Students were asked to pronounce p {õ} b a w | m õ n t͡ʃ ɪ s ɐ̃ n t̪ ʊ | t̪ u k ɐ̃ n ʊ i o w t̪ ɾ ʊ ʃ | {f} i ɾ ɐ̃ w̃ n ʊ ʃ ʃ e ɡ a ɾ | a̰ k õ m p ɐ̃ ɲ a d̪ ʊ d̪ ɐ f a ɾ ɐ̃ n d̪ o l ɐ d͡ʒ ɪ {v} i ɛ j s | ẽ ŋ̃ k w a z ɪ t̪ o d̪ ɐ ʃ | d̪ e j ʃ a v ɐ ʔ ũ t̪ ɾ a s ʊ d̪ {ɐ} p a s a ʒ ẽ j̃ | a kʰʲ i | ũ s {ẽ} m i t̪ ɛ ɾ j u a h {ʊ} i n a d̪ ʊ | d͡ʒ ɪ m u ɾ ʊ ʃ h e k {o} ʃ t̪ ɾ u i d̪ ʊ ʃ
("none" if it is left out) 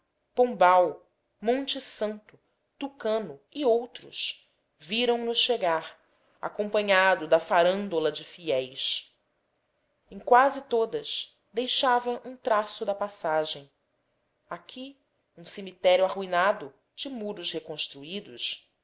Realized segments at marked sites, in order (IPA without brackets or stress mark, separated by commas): õ, v, f, ɐ, e, u, õ